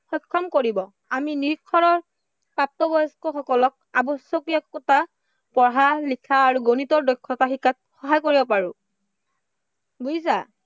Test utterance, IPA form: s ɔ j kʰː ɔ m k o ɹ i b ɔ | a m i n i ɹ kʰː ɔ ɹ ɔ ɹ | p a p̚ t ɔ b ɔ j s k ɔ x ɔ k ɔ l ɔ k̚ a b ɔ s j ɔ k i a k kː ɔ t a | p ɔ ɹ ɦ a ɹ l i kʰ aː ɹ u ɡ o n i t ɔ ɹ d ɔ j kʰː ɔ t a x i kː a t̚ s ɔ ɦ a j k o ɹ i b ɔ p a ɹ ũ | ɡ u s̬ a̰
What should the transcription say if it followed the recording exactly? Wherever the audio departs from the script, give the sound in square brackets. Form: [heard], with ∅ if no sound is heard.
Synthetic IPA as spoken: [x] ɔ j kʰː ɔ m k o ɹ i b ɔ | a m i n i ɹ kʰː ɔ ɹ ɔ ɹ | p a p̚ t ɔ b ɔ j s k ɔ x ɔ k ɔ l ɔ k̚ a b ɔ s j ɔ k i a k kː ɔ t a | p ɔ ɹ ɦ a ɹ l i kʰ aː ɹ u ɡ o n i t ɔ ɹ d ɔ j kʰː ɔ t a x i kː a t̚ [x] ɔ ɦ a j k o ɹ i b ɔ p a ɹ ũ | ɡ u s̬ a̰

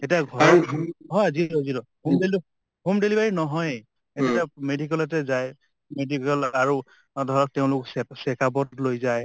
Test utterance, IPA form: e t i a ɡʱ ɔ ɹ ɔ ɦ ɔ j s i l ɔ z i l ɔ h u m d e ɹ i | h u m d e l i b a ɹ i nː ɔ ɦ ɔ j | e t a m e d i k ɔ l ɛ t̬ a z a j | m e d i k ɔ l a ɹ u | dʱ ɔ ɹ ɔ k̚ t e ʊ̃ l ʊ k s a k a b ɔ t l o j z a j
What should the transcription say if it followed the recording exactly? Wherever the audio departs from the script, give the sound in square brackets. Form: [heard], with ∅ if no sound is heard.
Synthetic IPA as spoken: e t i a ɡʱ ɔ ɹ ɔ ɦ ɔ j [z] i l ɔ z i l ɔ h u m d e [l] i | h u m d e l i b a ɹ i [n] ɔ ɦ ɔ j | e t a m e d i k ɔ l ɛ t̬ [ɛ] z a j | m e d i k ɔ l a ɹ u | dʱ ɔ ɹ ɔ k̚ t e ʊ̃ l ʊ k s [ɛ] k a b ɔ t l o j z a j

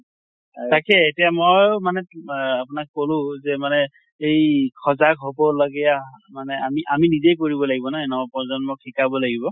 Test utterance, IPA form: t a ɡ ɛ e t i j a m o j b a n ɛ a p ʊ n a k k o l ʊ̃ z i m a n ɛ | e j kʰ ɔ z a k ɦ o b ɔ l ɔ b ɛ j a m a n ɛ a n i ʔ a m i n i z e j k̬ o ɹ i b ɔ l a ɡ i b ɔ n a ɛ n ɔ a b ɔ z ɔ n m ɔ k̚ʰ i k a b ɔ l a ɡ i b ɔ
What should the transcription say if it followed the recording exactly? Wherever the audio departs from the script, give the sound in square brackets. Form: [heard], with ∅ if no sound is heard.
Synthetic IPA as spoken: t a [k] ɛ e t i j a m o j [m] a n ɛ a p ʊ n a k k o l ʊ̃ z [ɛ] m a n ɛ | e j kʰ ɔ z a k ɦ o b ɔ l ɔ [ɡ] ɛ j a m a n ɛ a [m] i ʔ a m i n i z e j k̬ o ɹ i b ɔ l a ɡ i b ɔ n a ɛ n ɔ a [p] ɔ z ɔ n m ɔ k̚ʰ i k a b ɔ l a ɡ i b ɔ

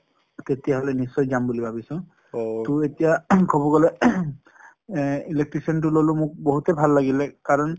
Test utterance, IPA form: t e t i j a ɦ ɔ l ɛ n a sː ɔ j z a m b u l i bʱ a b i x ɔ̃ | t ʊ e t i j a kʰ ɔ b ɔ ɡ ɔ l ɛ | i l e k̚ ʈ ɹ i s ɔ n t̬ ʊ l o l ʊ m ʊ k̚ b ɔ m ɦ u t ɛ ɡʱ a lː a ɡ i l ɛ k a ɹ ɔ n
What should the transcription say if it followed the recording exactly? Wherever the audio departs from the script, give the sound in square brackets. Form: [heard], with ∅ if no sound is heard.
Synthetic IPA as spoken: t e t i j a ɦ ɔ l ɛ n [i] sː ɔ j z a m b u l i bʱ a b i [s] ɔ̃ | t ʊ e t i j a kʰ ɔ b ɔ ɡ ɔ l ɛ | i l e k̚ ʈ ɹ i s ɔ n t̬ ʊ l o l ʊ m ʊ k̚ b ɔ [∅] ɦ u t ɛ [bʱ] a lː a ɡ i l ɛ k a ɹ ɔ n

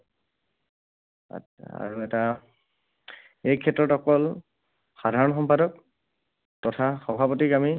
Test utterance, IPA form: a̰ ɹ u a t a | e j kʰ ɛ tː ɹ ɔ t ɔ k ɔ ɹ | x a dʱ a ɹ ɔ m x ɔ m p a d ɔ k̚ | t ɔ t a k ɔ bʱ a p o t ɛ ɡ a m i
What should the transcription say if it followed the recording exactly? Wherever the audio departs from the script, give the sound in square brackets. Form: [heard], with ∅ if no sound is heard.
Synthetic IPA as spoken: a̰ ɹ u [ɛ] t a | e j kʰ ɛ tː ɹ ɔ t ɔ k ɔ [l] | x a dʱ a ɹ ɔ [n] x ɔ m p a d ɔ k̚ | t ɔ [tʰ] a [x] ɔ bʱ a p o t [i] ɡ a m i

